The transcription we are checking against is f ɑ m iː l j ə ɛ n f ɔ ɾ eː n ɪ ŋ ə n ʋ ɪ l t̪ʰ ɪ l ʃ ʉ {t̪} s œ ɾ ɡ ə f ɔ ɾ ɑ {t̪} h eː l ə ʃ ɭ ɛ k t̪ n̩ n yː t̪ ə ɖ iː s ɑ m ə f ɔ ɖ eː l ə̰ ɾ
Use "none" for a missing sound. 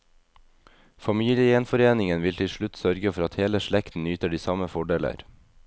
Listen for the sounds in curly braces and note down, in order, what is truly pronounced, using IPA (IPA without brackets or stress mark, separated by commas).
t̪, t̪